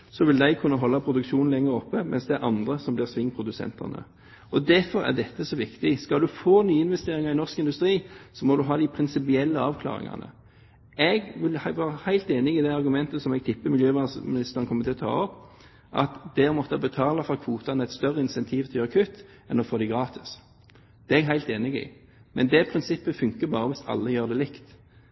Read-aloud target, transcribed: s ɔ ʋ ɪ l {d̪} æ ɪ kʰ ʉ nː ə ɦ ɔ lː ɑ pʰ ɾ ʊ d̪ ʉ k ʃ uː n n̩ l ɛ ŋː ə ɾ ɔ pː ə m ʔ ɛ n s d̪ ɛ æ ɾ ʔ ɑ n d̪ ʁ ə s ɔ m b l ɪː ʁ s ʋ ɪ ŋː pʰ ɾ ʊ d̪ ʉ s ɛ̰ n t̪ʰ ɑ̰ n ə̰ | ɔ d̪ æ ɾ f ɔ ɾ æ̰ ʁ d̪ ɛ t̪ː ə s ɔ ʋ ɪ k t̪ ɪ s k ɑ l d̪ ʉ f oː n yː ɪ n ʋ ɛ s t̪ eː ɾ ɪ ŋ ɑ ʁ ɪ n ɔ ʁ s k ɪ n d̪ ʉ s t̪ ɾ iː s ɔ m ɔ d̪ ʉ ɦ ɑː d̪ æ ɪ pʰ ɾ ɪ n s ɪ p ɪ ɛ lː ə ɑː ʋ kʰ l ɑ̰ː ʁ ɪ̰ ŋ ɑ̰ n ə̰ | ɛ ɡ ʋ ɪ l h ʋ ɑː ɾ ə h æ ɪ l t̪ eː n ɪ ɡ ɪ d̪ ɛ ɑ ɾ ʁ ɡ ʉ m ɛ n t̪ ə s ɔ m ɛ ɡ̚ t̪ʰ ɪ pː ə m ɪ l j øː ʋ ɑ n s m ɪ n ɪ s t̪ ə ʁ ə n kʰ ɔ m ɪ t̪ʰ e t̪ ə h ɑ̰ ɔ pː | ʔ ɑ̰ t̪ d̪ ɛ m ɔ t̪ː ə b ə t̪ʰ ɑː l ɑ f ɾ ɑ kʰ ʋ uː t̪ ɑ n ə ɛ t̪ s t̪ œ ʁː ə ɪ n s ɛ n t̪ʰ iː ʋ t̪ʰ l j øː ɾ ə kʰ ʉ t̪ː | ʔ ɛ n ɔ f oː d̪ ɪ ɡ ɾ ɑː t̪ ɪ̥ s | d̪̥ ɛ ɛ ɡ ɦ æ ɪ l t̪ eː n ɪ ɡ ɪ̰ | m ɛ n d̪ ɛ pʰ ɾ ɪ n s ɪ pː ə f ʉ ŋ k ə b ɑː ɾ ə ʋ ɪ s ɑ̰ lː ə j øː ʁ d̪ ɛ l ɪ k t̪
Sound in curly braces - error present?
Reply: no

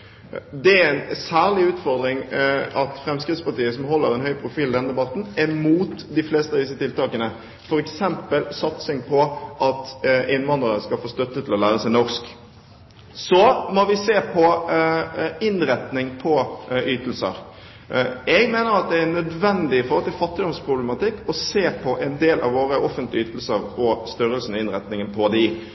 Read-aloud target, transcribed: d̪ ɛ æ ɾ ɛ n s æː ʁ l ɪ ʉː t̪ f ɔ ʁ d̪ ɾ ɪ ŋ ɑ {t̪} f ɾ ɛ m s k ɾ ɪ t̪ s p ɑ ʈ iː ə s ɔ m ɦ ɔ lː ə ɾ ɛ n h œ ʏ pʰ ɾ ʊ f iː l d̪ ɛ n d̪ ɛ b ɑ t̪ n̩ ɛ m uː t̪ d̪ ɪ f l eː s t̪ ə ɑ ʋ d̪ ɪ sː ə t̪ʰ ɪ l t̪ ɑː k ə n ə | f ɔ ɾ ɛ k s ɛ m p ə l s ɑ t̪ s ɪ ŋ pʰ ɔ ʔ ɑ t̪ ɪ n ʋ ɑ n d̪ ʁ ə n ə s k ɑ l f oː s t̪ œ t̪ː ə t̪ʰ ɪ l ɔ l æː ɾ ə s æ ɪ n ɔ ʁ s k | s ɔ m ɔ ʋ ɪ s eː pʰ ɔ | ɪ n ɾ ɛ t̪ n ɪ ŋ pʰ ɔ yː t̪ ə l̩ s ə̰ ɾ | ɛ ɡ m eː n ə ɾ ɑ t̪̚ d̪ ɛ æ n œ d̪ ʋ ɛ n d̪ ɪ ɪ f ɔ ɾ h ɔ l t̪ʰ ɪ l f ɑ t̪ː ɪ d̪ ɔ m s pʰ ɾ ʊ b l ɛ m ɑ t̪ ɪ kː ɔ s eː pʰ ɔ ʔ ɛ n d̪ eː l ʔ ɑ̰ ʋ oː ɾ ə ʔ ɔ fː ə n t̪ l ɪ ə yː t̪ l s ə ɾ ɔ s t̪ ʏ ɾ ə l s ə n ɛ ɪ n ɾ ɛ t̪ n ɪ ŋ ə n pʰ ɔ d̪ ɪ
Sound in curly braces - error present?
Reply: no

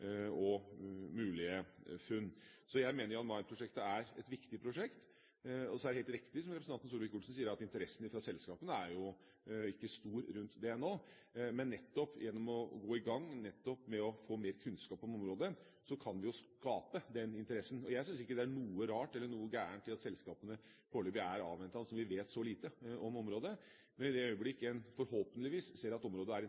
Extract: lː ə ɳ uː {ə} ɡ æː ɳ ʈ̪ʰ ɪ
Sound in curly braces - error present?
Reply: no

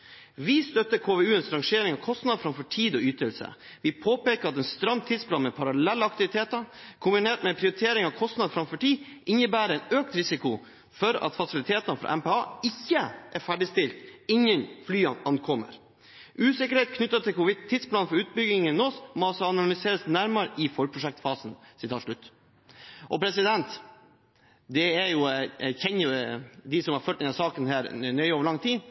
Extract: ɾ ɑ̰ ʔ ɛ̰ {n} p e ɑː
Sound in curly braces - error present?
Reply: yes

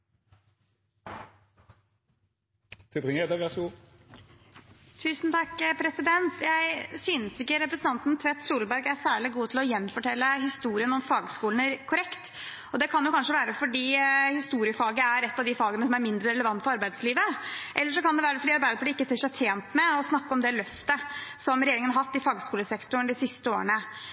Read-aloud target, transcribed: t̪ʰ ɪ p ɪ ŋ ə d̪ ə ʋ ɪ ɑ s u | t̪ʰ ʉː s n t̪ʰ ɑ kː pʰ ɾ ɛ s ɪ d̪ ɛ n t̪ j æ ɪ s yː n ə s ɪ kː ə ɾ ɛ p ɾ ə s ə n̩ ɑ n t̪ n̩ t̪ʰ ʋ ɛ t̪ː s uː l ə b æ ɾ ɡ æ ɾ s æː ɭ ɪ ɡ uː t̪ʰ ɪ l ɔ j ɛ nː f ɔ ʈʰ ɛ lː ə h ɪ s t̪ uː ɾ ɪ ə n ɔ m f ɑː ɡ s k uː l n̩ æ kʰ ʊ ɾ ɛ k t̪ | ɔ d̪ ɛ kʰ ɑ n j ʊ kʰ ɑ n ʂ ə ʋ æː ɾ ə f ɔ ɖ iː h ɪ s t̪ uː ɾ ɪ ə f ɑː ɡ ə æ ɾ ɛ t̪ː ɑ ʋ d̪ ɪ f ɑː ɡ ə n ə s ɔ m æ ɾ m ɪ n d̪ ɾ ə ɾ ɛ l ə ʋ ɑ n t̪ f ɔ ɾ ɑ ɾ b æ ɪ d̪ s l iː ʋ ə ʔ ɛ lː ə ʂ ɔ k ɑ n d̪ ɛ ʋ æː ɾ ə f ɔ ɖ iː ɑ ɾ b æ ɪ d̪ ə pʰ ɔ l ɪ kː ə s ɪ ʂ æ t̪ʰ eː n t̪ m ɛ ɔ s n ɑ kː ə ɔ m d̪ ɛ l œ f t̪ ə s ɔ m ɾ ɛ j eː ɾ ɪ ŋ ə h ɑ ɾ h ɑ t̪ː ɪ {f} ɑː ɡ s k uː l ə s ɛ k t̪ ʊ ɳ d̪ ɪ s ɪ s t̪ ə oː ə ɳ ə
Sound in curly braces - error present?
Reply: no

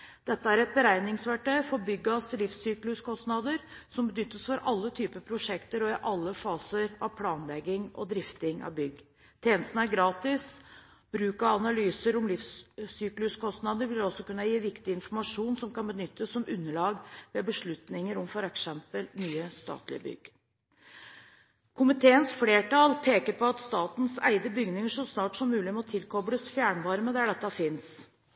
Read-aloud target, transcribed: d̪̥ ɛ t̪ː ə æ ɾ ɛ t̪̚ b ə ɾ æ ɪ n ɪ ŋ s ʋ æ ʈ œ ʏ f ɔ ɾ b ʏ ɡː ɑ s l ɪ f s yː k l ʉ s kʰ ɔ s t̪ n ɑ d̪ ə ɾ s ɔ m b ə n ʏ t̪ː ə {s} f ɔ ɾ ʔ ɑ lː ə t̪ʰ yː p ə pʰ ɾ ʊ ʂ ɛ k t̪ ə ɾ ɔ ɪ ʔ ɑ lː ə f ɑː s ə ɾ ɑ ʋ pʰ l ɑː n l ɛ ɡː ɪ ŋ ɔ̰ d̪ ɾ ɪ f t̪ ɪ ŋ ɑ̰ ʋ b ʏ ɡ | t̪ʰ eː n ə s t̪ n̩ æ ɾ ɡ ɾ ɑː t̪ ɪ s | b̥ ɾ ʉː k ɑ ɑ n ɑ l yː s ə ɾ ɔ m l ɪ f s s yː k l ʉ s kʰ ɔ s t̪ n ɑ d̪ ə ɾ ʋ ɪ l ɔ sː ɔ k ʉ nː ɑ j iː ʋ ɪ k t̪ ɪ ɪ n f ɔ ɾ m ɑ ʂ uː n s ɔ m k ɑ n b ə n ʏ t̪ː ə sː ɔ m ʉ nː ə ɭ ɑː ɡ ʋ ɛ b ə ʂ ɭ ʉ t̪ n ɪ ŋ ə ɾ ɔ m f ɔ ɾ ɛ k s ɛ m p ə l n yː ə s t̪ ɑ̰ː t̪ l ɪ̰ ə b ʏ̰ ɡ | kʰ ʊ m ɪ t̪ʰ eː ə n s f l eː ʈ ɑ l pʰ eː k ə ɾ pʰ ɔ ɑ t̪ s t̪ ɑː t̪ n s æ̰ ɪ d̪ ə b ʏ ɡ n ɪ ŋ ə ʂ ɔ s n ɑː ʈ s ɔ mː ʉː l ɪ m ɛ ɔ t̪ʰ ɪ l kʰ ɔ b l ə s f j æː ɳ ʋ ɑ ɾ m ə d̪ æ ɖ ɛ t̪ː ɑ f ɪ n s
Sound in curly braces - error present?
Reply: no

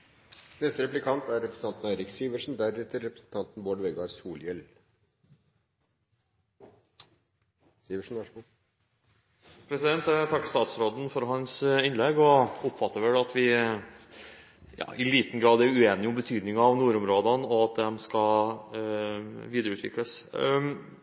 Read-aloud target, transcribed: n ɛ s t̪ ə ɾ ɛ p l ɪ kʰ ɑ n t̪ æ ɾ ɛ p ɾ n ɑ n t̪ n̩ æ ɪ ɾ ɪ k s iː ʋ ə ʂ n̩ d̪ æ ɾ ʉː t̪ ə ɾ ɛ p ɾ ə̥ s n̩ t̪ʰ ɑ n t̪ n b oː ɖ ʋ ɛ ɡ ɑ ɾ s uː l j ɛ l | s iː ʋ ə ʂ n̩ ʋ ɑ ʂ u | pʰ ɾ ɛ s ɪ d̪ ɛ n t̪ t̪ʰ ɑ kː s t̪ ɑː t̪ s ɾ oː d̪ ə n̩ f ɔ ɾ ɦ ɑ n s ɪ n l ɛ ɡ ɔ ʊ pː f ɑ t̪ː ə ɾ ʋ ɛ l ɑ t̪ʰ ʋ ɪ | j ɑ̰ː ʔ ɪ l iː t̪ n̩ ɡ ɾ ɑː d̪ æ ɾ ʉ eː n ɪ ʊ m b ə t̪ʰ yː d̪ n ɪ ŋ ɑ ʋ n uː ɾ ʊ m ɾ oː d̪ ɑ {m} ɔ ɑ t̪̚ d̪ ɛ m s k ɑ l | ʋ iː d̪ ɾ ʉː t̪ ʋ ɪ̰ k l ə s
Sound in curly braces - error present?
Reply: yes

